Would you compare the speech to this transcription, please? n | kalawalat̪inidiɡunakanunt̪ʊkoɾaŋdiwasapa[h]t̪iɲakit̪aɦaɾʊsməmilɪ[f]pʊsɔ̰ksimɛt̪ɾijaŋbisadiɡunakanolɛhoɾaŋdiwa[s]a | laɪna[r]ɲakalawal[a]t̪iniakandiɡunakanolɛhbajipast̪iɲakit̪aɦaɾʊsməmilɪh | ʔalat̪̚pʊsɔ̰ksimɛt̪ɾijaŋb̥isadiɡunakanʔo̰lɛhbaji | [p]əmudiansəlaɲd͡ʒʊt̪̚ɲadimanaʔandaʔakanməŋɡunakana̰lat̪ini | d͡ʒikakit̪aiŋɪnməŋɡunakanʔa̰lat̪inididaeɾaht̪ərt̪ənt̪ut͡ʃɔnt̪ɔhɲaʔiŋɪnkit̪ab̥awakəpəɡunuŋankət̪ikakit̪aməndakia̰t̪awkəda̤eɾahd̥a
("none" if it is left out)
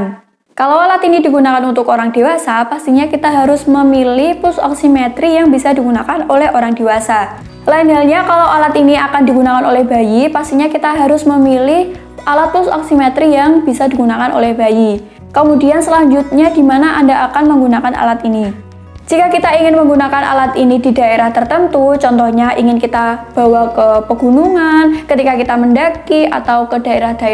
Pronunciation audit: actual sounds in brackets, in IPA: s, h, s, l, a, k

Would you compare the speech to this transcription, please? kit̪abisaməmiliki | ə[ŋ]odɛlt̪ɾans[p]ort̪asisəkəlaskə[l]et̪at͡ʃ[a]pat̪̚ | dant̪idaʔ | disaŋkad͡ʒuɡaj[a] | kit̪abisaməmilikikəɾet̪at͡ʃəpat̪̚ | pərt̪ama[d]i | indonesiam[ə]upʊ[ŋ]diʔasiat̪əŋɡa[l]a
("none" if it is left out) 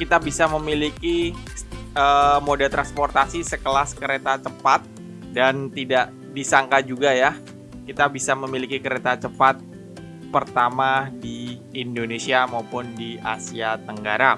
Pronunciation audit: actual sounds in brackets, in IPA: m, p, ɾ, ə, a, d, a, n, ɾ

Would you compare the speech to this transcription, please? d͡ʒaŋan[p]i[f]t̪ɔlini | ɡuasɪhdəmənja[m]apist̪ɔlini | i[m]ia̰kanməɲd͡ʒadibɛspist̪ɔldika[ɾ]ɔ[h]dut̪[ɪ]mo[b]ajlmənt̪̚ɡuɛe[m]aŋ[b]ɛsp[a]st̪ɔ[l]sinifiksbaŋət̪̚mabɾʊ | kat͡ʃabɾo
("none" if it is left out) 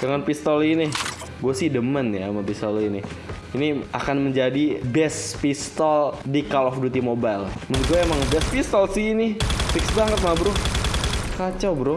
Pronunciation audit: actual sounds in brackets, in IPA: p, s, m, n, l, f, i, b, m, b, i, l

